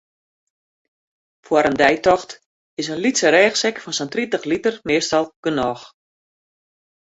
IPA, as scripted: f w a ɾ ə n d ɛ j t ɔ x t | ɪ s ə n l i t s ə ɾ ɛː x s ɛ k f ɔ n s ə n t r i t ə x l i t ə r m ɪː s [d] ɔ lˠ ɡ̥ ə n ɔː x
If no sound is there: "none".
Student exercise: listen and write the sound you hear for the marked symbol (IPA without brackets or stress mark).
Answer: t